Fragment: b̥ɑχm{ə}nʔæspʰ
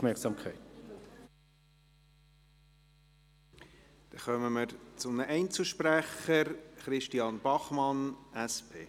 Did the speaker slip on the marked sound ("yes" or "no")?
yes